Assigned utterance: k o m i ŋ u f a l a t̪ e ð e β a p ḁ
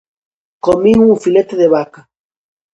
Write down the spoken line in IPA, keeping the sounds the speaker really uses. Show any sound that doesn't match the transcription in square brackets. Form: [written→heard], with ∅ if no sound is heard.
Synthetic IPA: k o m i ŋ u f [a→i] l [a→e] t̪ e ð e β a [p→k] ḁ